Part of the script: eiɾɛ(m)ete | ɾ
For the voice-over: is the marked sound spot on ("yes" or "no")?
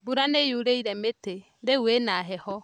yes